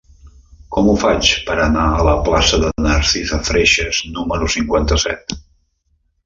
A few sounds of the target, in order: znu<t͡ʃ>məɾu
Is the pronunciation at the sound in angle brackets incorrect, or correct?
incorrect